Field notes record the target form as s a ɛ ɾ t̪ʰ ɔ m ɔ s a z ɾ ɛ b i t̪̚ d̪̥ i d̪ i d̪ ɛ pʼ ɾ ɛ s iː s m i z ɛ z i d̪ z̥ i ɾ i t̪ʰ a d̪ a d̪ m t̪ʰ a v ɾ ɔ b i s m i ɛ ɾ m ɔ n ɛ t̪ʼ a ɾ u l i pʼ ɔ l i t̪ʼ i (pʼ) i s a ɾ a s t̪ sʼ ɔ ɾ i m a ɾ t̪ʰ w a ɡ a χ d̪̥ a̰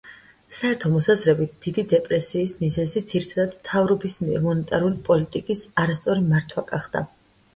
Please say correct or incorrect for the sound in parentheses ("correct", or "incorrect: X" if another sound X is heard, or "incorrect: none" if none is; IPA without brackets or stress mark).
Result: incorrect: kʼ